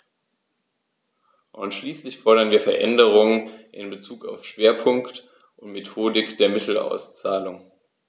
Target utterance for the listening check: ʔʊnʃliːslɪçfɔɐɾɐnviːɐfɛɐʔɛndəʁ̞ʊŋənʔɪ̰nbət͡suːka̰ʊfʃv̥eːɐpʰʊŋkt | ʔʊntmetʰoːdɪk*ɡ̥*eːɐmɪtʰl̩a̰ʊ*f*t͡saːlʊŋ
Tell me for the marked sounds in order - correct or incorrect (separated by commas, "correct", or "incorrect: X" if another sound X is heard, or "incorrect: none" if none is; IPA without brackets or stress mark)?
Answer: incorrect: d̥, incorrect: s